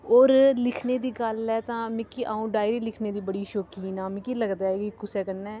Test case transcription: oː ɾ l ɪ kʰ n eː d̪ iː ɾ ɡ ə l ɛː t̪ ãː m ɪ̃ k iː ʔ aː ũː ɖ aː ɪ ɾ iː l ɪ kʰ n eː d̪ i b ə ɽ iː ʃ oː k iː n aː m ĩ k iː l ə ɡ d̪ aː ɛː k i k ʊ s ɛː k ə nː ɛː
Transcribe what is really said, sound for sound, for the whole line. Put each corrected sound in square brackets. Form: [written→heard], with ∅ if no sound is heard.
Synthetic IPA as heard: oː ɾ l ɪ kʰ n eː d̪ iː [ɾ→∅] ɡ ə l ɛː t̪ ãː m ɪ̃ k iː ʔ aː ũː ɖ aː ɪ ɾ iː l ɪ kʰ n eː d̪ [i→iː] b ə ɽ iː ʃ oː k iː n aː m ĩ k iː l ə ɡ d̪ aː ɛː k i k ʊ s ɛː k ə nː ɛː